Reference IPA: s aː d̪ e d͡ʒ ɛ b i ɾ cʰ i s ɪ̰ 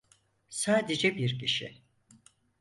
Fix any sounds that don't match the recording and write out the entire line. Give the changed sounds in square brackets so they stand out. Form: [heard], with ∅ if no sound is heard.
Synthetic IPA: s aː d̪ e d͡ʒ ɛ b i ɾ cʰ i [ʃ] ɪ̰